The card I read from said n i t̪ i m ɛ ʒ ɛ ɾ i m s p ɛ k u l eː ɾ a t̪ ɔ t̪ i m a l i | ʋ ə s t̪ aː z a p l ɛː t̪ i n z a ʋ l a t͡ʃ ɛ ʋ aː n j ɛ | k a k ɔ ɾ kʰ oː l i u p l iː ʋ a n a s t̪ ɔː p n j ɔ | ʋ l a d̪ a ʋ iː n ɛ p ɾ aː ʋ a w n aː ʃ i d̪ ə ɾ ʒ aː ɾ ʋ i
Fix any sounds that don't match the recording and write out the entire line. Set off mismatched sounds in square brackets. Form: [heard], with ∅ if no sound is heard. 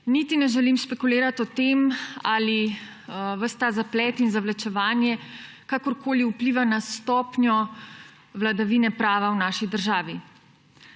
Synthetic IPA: n i t̪ i [n] ɛ ʒ ɛ [l] i m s p ɛ k u l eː ɾ a t̪ ɔ t̪ [e] m a l i | ʋ ə s t̪ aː z a p l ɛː t̪ i n z a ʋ l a t͡ʃ ɛ ʋ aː n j ɛ | k a k ɔ ɾ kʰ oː l i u p l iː ʋ a n a s t̪ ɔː p n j ɔ | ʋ l a d̪ a ʋ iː n ɛ p ɾ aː ʋ a w n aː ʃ i d̪ ə ɾ ʒ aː [∅] ʋ i